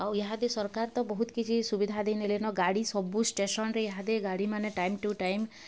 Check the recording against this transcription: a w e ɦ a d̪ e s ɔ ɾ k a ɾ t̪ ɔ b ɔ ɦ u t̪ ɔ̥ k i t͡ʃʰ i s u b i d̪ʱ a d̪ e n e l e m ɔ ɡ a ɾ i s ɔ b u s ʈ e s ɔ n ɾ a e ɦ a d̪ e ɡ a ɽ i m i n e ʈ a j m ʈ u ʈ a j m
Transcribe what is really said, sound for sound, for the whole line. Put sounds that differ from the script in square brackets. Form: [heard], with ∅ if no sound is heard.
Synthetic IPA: a w e ɦ a d̪ e s ɔ ɾ k a ɾ t̪ ɔ b ɔ ɦ u t̪ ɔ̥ k i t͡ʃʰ i s u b i d̪ʱ a d̪ e n e l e [n] ɔ ɡ a [ɽ] i s ɔ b u s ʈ e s ɔ n ɾ [e] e ɦ a d̪ e ɡ a ɽ i m [a] n e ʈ a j m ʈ u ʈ a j m